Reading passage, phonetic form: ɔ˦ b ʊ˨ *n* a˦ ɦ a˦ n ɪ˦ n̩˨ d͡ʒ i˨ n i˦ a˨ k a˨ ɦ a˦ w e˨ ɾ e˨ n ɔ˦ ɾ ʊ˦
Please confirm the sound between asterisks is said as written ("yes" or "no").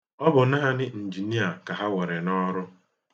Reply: yes